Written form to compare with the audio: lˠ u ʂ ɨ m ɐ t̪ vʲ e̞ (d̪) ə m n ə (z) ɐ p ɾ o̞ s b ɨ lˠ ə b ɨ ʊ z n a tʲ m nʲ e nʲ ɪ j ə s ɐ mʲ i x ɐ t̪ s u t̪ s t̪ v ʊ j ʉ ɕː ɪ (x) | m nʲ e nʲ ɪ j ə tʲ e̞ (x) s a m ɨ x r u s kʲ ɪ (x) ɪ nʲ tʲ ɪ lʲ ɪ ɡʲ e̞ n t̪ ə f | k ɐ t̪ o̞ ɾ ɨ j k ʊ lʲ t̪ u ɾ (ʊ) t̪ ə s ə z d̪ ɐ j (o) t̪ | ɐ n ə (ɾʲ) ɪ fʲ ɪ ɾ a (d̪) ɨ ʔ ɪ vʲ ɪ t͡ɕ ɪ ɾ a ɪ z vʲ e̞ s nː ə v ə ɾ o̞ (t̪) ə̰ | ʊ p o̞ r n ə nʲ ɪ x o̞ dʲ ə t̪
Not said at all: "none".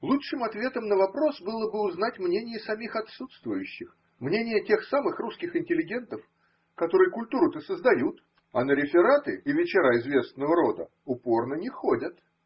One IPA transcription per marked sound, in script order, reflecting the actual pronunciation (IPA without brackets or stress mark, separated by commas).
t̪, v, x, x, x, ʊ, u, ɾʲ, t̪, d̪